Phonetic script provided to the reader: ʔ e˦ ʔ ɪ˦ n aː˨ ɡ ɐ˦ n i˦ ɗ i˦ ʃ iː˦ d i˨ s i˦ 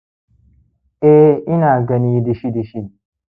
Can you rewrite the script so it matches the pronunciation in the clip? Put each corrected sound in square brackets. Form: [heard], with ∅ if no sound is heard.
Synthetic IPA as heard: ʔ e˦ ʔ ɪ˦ n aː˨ ɡ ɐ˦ n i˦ [d] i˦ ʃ [i˦] d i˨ [ʃ] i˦